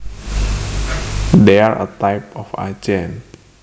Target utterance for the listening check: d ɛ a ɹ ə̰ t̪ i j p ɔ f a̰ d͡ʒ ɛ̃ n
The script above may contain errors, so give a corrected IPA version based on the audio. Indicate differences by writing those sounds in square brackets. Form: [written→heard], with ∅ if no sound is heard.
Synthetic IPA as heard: d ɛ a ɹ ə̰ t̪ [i→a] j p ɔ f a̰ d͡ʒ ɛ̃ n